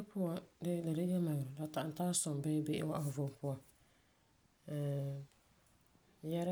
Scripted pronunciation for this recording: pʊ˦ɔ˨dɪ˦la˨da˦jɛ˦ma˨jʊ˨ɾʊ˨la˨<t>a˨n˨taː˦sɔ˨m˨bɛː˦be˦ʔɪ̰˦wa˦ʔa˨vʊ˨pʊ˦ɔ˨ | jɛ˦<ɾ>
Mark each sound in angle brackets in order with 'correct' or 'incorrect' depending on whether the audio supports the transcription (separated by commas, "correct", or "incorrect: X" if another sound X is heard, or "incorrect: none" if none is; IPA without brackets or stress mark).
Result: correct, correct